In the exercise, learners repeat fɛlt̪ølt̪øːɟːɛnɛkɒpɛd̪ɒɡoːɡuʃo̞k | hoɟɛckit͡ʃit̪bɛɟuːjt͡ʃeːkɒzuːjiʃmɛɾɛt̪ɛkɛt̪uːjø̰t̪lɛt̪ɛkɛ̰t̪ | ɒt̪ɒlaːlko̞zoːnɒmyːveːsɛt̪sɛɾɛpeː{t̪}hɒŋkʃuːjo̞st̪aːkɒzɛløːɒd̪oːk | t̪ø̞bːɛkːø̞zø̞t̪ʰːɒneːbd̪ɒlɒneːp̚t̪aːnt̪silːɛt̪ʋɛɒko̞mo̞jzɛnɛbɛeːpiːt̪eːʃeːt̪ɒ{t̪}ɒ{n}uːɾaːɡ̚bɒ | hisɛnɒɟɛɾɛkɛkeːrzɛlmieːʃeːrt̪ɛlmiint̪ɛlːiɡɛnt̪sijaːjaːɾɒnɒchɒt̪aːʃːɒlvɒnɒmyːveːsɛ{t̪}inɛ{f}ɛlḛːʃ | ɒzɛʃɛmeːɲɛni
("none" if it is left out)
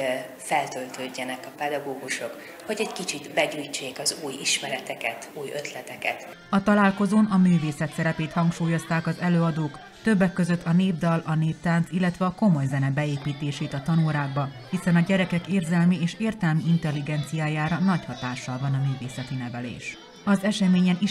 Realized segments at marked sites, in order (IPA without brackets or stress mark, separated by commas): t̪, t̪, n, t̪, v